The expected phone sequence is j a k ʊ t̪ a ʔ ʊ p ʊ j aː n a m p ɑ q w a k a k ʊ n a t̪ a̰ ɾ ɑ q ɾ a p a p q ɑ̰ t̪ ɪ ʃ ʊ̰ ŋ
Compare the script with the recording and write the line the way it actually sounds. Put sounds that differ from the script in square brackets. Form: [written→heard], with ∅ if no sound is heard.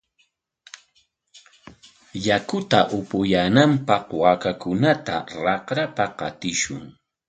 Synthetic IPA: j a k ʊ t̪ a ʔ ʊ p ʊ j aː n a m p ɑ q w a k a k ʊ n a t̪ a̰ ɾ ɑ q ɾ a p a p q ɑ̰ t̪ ɪ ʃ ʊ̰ ŋ

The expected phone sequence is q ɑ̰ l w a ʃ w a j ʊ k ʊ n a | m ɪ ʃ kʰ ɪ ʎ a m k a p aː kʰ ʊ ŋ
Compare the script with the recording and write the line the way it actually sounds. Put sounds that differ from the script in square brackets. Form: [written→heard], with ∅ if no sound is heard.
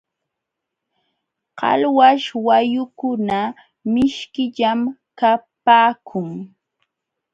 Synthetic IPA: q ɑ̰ l w a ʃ w a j ʊ k ʊ n a | m ɪ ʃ [kʰ→k] ɪ ʎ a m k a p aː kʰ ʊ ŋ

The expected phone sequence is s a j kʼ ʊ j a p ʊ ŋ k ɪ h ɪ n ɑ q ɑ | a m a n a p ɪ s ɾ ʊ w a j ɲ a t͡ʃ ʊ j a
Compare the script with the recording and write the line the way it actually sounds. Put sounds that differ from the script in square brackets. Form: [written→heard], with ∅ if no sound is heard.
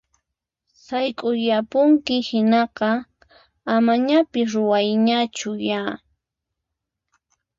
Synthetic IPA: s a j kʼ ʊ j a p ʊ ŋ k ɪ h ɪ n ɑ q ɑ | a m a [n→ɲ] a p ɪ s ɾ ʊ w a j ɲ a t͡ʃ ʊ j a

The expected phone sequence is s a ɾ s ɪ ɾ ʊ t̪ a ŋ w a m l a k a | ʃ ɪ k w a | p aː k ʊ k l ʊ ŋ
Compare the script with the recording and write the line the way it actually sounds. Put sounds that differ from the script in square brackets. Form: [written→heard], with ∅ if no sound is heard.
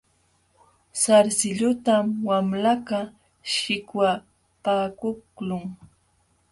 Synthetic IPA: s a ɾ s ɪ [ɾ→ʎ] ʊ t̪ a [ŋ→m] w a m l a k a | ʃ ɪ k w a | p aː k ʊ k l ʊ ŋ

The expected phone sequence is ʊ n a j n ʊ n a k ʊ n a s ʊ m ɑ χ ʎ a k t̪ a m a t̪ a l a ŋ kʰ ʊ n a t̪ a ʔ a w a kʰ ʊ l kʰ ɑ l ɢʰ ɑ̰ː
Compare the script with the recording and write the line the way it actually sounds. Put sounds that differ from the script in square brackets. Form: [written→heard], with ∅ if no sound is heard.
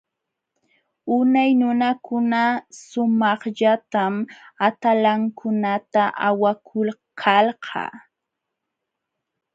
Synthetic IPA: ʊ n a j n ʊ n a k ʊ n a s ʊ m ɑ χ ʎ a [k→∅] t̪ a m a t̪ a l a ŋ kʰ ʊ n a t̪ a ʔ a w a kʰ ʊ l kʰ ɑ l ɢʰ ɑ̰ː

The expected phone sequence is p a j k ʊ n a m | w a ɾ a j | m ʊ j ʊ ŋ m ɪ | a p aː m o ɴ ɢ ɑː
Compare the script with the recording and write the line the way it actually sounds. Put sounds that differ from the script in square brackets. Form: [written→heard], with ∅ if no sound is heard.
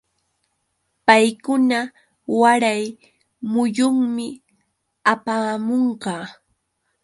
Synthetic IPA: p a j k ʊ n a [m→∅] | w a ɾ a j | m ʊ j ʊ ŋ m ɪ | a p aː m o ɴ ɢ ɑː

